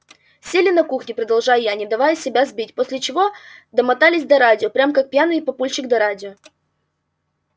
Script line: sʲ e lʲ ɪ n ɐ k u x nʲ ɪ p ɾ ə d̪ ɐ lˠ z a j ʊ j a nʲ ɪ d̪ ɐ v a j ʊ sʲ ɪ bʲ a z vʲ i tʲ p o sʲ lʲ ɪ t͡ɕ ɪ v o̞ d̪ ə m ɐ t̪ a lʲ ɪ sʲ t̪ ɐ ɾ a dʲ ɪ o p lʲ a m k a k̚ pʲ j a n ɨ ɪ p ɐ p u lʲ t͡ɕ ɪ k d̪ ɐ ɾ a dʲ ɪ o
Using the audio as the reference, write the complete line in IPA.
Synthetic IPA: sʲ e lʲ ɪ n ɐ k u x nʲ ɪ p ɾ ə d̪ ɐ lˠ ʐ a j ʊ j a nʲ ɪ d̪ ɐ v a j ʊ sʲ ɪ bʲ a z bʲ i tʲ p o sʲ lʲ ɪ t͡ɕ ɪ v o̞ d̪ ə m ɐ t̪ a lʲ ɪ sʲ d̪ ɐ ɾ a dʲ ɪ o p ɾʲ a m k a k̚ pʲ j a n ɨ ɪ p ɐ p u lʲ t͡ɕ ɪ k d̪ ɐ ɾ a dʲ ɪ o